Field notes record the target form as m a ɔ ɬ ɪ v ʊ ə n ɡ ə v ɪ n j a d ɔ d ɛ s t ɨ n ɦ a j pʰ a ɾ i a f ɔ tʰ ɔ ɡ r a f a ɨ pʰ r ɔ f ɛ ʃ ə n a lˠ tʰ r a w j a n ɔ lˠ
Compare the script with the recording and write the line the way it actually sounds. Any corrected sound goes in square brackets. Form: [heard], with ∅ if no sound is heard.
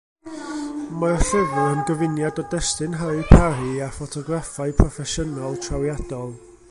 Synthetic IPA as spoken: m a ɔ ɬ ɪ v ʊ ə n ɡ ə v ɪ n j a d ɔ d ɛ s t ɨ n ɦ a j pʰ a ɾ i a f ɔ tʰ ɔ ɡ r a f a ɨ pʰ r ɔ f ɛ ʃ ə n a lˠ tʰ r a w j a [d] ɔ lˠ